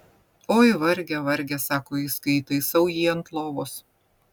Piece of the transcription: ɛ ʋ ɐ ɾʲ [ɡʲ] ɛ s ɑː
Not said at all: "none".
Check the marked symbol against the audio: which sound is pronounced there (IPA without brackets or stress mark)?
ɡʲ